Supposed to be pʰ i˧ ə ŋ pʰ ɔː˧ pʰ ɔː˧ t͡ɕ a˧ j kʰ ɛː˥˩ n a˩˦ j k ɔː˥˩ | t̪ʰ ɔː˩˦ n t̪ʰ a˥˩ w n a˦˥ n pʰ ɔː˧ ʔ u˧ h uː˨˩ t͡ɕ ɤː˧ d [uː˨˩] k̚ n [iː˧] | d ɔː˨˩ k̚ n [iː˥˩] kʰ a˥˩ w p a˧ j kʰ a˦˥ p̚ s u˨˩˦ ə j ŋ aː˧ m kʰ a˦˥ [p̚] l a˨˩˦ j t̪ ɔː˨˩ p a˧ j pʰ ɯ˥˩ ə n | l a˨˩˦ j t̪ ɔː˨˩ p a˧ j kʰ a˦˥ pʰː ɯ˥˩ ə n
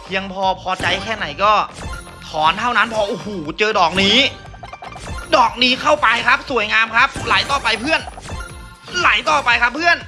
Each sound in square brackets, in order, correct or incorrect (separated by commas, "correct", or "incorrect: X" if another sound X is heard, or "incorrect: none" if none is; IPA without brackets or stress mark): incorrect: ɔː˨˩, incorrect: iː˦˥, incorrect: iː˦˥, correct